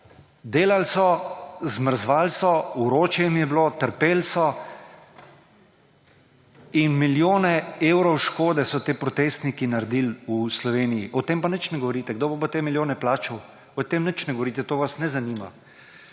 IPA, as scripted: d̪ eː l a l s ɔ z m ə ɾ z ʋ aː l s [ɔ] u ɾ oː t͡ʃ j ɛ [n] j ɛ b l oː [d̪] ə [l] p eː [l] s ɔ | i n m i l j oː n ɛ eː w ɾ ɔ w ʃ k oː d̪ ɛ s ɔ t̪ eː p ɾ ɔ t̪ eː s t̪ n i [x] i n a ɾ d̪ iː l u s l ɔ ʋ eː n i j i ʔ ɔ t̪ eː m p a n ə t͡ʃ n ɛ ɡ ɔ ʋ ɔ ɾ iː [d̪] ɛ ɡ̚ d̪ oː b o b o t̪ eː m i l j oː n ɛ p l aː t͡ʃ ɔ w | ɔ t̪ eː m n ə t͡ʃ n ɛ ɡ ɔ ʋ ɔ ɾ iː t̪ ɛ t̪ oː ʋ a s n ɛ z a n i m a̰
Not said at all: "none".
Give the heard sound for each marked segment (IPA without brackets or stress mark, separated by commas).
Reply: ɔ, m, t̪, ɾ, l, k, t̪